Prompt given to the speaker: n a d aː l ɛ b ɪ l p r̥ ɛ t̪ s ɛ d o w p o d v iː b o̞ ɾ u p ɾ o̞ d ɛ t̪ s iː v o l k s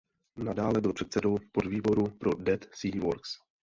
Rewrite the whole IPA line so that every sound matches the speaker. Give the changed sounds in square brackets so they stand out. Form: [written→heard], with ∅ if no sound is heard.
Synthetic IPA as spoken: n a d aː l ɛ b ɪ l p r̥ ɛ t̪ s ɛ d o w p o d v iː b o̞ ɾ u p ɾ o̞ d ɛ t̪ s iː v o [l→ɾ] k s